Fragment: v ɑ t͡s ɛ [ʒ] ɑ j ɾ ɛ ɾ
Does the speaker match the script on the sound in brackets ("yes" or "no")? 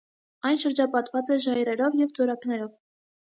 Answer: yes